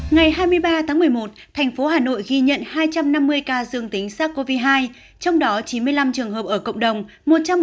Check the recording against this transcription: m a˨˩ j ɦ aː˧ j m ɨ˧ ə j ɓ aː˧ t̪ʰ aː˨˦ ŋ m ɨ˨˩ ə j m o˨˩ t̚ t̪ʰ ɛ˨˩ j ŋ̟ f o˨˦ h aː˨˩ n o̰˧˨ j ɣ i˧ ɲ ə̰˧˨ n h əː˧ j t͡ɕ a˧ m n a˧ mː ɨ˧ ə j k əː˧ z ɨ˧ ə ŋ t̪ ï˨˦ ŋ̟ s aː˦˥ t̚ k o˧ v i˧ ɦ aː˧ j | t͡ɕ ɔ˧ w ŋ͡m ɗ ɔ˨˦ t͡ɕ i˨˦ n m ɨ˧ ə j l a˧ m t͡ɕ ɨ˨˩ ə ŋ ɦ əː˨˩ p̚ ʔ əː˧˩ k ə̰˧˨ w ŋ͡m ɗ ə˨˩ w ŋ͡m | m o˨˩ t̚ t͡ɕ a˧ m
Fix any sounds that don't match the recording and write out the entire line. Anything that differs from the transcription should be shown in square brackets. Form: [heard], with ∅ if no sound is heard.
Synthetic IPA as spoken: [ŋ] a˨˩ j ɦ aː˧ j m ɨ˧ ə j ɓ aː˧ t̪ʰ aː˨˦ ŋ m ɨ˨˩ ə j m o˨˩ t̚ t̪ʰ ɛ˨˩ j ŋ̟ f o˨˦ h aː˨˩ n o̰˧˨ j ɣ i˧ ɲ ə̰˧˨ n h [aː˧] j t͡ɕ a˧ m n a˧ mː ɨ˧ ə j k [aː˧] z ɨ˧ ə ŋ t̪ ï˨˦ ŋ̟ s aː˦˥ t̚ k o˧ v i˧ ɦ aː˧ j | t͡ɕ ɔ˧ w ŋ͡m ɗ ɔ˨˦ t͡ɕ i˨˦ n m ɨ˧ ə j l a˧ m t͡ɕ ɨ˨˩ ə ŋ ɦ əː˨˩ p̚ ʔ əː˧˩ k ə̰˧˨ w ŋ͡m ɗ ə˨˩ w ŋ͡m | m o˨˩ t̚ t͡ɕ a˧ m